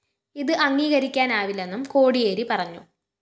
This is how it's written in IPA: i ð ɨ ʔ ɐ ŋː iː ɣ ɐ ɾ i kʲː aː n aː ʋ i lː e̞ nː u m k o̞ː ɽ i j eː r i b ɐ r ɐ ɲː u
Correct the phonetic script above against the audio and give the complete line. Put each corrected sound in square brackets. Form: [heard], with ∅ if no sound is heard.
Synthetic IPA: i ð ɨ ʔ ɐ ŋː iː ɣ ɐ ɾ i kʲː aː n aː ʋ i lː e̞ nː u m k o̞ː ɽ i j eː [ɾ] i [p] ɐ r ɐ ɲː u